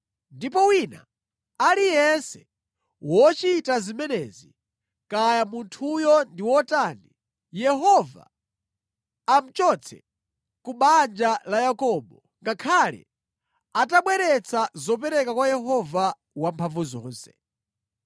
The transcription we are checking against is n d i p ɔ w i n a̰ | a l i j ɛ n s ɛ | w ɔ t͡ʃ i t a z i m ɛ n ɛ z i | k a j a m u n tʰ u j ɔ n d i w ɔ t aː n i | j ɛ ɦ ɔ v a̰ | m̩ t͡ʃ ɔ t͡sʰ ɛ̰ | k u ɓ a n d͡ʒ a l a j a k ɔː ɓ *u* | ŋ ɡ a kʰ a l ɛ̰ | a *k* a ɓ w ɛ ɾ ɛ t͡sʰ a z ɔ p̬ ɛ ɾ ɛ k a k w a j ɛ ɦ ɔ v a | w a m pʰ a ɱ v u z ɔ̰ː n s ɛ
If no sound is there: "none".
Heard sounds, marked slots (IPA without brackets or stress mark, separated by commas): ɔ, t